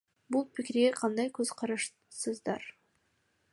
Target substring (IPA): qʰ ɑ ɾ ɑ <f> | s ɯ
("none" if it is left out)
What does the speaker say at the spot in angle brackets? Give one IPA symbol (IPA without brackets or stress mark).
ʃ